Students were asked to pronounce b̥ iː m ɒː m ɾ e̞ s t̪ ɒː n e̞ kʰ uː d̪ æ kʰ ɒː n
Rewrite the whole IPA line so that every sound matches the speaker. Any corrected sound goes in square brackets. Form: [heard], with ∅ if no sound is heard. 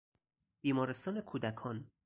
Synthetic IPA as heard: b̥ iː m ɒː [∅] ɾ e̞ s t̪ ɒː n e̞ kʰ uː d̪ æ kʰ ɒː n